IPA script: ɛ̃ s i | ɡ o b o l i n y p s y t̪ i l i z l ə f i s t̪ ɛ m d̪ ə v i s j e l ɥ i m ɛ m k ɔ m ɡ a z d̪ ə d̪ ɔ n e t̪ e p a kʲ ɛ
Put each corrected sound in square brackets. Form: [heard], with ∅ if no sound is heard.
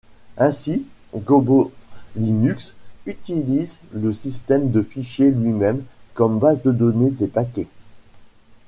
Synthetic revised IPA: ɛ̃ s i | ɡ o b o l i n y [k] s y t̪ i l i z l ə [s] i s t̪ ɛ m d̪ ə [f] i [ʃ] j e l ɥ i m ɛ m k ɔ m [b] a z d̪ ə d̪ ɔ n e [d̪] e p a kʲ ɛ